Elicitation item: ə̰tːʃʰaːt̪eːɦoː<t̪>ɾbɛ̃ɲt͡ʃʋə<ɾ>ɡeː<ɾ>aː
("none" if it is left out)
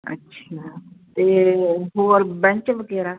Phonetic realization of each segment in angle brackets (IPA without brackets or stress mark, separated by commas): none, none, ɾ